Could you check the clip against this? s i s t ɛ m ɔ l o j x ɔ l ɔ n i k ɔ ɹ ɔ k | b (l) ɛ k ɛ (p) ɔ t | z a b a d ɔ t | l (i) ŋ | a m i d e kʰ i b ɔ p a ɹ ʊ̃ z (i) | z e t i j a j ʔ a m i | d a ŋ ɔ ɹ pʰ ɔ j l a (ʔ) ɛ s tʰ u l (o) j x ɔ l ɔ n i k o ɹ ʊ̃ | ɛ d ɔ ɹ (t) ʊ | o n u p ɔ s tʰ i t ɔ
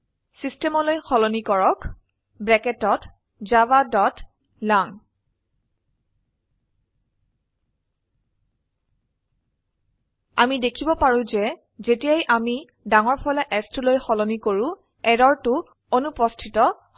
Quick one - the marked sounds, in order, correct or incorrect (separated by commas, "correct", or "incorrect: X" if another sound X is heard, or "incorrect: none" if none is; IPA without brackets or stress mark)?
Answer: incorrect: ɹ, incorrect: t, incorrect: a, incorrect: ɛ, correct, correct, correct